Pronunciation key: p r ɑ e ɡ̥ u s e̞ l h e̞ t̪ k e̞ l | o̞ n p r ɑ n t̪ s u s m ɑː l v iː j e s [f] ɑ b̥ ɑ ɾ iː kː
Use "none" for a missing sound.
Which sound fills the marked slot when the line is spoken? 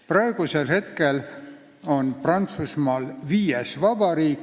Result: v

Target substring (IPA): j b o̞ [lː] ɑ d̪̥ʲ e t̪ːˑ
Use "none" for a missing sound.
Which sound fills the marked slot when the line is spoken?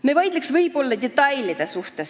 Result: lː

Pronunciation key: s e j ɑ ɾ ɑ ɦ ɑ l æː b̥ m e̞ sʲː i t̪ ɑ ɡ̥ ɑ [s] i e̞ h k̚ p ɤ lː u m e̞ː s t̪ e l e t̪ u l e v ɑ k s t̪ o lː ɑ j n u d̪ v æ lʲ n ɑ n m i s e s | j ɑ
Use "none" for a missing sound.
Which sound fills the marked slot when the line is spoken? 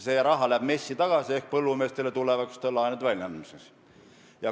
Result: s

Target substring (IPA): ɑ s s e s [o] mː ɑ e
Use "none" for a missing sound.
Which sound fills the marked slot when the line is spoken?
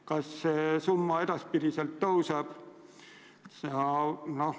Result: u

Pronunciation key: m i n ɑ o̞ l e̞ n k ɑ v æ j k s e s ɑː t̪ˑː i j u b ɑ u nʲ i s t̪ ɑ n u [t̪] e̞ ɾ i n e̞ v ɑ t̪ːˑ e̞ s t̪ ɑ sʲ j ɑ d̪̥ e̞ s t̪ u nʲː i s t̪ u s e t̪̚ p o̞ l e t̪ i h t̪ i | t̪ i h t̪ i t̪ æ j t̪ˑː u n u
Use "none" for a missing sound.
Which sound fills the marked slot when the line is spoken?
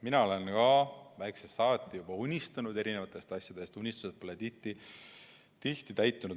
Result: d̪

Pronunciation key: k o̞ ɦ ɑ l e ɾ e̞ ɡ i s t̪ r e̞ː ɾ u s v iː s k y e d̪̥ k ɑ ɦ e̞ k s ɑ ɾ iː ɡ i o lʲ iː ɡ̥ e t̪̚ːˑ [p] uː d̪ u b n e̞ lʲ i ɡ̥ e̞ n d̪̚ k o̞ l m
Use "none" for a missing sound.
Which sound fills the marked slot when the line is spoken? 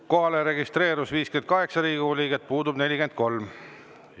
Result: p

